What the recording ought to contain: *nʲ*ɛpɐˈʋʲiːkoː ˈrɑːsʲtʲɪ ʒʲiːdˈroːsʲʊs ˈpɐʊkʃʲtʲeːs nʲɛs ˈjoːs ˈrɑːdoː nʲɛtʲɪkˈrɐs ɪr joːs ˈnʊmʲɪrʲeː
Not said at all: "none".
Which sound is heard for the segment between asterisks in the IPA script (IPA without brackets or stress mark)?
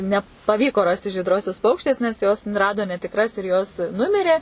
nʲ